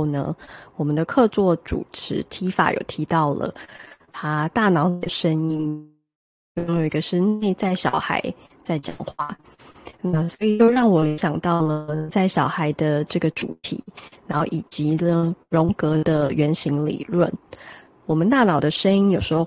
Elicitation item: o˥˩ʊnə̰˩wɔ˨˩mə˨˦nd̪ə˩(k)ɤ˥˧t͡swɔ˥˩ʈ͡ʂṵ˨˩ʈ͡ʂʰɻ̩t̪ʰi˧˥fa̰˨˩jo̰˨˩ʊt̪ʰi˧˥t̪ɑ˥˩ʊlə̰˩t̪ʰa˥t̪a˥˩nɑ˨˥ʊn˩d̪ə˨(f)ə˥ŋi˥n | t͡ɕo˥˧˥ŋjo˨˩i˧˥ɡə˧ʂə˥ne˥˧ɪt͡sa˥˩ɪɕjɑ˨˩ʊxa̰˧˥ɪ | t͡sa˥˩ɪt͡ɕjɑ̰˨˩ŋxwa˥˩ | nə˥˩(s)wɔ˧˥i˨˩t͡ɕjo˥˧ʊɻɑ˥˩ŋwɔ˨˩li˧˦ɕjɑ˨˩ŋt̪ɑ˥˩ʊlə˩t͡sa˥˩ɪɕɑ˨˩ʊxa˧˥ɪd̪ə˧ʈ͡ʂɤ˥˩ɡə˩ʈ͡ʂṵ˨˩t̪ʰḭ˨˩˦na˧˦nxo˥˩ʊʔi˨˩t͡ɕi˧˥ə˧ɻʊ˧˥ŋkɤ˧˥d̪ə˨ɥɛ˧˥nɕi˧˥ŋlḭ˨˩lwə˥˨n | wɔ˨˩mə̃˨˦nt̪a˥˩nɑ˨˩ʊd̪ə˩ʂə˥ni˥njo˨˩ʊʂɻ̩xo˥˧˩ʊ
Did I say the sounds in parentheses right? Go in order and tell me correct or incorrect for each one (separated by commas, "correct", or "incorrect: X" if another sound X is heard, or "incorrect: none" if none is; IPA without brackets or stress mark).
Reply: incorrect: kʰ, incorrect: ʂ, correct